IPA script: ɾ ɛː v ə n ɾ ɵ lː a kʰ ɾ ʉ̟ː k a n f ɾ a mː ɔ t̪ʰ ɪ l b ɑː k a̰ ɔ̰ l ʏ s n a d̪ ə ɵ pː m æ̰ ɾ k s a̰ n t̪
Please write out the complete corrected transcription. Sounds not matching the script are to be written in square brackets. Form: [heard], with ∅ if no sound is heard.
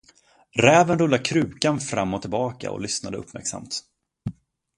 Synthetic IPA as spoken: ɾ ɛː v ə n ɾ ɵ lː a kʰ ɾ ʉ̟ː k a n f ɾ a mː ɔ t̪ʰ ɪ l b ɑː k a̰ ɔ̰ l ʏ s n a d̪ ə ɵ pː m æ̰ ɾ k s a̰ [m] t̪